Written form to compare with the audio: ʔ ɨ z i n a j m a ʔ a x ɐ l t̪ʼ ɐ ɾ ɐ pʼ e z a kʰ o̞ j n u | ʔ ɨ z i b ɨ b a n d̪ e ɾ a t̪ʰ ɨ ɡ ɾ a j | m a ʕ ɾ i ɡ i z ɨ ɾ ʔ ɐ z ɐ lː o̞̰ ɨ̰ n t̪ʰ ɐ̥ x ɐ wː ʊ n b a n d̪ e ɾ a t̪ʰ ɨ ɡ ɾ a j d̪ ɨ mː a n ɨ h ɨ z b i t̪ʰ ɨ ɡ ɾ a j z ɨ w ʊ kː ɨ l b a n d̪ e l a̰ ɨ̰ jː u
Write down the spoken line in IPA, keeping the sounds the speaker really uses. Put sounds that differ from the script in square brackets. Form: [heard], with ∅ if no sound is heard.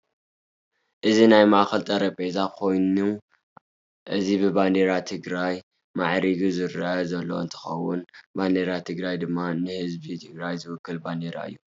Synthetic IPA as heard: ʔ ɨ z i n a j m a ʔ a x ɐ l t̪ʼ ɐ ɾ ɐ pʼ e z a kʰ o̞ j n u | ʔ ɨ z i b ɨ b a n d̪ e ɾ a t̪ʰ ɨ ɡ ɾ a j | m a ʕ ɾ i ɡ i z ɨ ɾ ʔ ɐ z ɐ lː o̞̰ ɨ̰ n t̪ʰ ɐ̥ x ɐ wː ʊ n b a n d̪ e ɾ a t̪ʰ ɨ ɡ ɾ a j d̪ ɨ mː a n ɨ h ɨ z b i t̪ʰ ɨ ɡ ɾ a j z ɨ w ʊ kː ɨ l b a n d̪ e [ɾ] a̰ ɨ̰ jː u